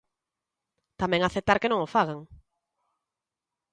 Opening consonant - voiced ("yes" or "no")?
no